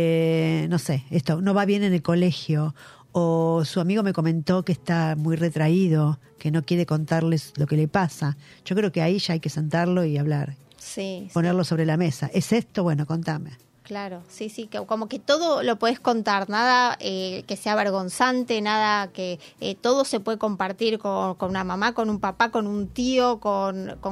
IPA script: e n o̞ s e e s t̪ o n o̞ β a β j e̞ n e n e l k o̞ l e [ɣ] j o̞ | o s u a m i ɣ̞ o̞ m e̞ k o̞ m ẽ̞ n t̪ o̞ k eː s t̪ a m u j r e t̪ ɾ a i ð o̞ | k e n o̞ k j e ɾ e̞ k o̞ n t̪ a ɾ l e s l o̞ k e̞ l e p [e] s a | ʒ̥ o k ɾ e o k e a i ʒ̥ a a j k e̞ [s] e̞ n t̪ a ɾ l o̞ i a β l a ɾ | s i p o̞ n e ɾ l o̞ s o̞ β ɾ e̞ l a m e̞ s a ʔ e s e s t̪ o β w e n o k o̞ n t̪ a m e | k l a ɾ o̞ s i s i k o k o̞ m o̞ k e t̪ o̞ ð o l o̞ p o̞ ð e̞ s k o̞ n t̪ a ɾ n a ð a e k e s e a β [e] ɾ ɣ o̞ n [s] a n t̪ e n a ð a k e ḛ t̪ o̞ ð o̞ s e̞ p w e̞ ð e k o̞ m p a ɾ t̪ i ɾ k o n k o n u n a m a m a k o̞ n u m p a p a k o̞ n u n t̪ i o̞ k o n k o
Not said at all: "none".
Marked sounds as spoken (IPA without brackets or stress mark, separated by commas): x, a, s, e, s